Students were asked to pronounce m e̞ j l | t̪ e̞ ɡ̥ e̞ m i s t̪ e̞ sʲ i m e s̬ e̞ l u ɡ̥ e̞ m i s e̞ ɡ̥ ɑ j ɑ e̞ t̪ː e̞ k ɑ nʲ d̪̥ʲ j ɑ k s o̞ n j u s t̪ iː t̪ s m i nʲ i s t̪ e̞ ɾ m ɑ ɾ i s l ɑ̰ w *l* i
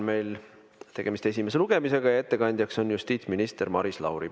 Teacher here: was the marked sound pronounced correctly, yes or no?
no